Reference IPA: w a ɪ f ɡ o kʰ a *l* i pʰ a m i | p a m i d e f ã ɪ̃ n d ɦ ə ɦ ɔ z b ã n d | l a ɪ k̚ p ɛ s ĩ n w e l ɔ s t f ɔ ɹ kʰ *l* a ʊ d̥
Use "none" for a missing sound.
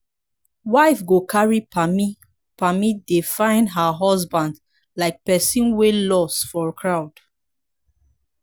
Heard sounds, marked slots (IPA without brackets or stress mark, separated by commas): ɹ, ɹ